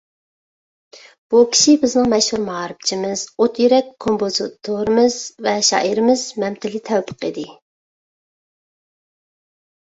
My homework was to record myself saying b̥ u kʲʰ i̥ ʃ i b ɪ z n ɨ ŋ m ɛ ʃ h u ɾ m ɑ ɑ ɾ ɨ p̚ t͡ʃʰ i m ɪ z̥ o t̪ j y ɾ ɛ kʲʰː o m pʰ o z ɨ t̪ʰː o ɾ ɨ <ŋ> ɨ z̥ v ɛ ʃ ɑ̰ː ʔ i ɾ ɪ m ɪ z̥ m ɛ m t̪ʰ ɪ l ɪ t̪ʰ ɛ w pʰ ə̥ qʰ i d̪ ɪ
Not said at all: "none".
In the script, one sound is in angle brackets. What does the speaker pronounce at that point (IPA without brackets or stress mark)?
m